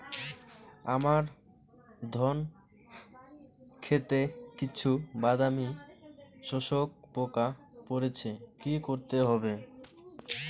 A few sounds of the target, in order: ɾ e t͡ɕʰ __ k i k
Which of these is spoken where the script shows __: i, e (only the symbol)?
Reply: e